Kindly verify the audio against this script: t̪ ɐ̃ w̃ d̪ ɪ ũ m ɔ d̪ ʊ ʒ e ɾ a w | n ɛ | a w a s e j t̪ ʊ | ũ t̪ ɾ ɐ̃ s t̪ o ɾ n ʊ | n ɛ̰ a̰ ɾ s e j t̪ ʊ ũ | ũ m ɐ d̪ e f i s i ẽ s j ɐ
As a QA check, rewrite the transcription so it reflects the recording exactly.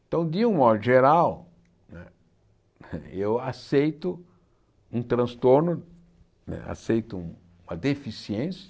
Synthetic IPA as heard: t̪ ɐ̃ w̃ d̪ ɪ ũ m ɔ d̪ ʊ ʒ e ɾ a w | n ɛ | e w a s e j t̪ ʊ | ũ t̪ ɾ ɐ̃ s t̪ o ɾ n ʊ | n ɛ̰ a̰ s e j t̪ ʊ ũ | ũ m ɐ d̪ e f i s i ẽ s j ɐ